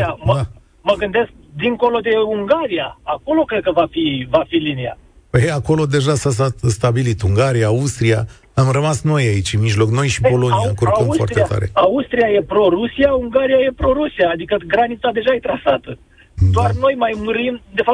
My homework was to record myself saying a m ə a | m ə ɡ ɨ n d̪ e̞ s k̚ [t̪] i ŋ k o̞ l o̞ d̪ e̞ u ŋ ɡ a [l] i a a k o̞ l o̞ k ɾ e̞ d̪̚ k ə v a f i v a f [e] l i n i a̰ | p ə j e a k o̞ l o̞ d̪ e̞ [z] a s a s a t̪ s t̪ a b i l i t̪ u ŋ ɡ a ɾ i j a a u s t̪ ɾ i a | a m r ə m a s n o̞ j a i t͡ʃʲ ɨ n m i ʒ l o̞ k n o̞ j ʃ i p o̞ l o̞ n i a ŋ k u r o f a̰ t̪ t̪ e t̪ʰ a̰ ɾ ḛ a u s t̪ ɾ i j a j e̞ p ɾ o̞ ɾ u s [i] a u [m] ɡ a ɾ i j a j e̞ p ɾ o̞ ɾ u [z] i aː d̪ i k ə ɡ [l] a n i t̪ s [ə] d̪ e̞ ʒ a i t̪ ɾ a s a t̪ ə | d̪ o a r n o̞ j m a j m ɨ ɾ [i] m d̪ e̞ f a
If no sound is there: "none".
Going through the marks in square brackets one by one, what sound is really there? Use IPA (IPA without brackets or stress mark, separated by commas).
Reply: d̪, ɾ, i, ʒ, i, ŋ, s, ɾ, a, i